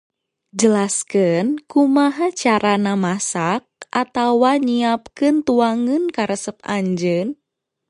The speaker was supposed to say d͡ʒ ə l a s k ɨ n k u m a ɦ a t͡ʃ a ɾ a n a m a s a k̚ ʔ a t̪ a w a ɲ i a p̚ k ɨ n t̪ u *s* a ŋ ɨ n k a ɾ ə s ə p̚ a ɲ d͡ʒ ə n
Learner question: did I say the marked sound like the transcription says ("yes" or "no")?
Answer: no